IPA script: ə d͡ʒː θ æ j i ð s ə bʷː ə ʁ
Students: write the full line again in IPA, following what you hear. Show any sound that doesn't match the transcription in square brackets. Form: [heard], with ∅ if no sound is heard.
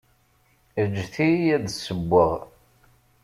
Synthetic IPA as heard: ə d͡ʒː θ [i] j [æ] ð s ə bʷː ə ʁ